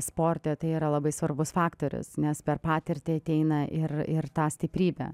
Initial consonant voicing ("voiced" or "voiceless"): voiceless